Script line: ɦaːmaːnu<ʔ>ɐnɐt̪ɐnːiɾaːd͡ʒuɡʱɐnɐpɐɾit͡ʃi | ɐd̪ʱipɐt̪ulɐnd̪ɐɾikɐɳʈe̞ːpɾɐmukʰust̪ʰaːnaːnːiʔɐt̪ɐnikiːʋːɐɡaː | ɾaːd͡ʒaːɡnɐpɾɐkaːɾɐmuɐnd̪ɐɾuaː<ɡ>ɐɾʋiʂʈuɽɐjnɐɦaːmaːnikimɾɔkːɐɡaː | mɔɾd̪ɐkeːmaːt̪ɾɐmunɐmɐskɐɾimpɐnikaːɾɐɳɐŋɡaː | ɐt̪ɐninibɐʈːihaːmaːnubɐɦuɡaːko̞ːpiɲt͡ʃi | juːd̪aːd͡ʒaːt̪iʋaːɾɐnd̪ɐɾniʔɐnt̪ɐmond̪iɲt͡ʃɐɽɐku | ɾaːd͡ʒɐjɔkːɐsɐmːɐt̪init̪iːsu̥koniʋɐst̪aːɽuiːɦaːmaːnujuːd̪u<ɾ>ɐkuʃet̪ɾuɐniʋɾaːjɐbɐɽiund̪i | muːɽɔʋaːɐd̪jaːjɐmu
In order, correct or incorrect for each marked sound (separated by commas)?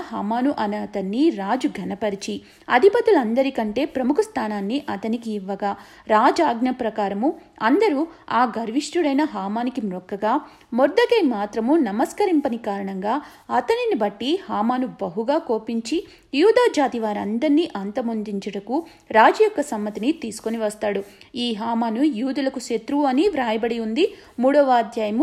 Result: correct, correct, incorrect